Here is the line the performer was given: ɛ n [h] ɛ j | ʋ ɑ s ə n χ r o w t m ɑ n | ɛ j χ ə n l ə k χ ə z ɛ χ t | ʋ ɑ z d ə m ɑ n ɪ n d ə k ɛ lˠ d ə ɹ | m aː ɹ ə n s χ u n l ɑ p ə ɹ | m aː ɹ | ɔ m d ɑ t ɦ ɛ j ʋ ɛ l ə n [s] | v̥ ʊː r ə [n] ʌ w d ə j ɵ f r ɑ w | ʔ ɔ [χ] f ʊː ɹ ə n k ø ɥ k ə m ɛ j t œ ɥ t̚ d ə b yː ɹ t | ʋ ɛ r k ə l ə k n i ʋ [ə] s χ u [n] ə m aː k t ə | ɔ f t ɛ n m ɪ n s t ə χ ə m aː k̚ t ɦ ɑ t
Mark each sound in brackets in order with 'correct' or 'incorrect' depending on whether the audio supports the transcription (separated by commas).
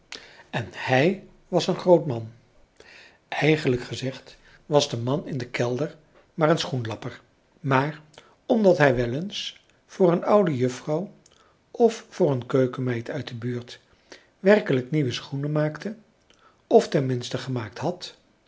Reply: correct, correct, correct, incorrect, correct, correct